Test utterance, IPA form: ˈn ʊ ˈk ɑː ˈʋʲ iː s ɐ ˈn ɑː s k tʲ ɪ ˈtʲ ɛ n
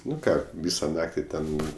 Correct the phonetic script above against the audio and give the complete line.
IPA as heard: ˈn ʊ ˈk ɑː ˈʋʲ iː s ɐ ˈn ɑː k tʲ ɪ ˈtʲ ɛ n